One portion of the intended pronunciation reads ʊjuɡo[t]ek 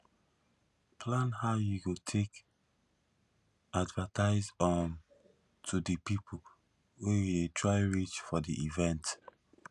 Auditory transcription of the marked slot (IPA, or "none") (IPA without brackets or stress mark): tʰ